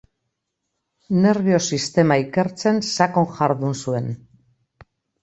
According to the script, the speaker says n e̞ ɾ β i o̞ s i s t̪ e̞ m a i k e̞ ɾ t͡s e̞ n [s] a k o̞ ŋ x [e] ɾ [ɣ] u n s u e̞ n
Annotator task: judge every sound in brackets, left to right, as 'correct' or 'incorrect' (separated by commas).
correct, incorrect, incorrect